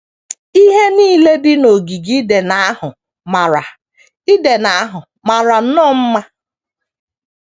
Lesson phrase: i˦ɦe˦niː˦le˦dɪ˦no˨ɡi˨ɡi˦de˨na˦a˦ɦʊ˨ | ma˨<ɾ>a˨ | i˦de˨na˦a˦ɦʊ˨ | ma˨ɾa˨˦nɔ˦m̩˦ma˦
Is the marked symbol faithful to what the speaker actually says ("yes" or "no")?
yes